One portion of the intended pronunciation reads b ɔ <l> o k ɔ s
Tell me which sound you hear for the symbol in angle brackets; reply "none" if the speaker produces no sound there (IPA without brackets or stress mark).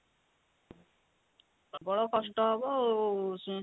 ɽ